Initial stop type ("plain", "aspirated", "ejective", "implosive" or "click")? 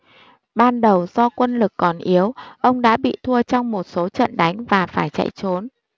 implosive